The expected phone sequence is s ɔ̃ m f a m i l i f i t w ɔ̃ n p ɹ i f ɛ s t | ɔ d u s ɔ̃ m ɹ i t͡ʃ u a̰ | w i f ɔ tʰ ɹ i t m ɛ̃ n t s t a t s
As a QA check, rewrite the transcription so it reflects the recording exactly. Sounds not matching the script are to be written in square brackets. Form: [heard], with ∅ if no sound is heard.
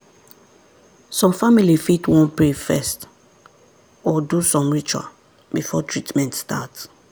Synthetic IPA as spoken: s ɔ̃ m f a m i l i f i t w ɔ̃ n p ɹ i f ɛ s t | ɔ d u s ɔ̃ m ɹ i t͡ʃ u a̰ | [b] i f ɔ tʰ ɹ i t m ɛ̃ n t s t a t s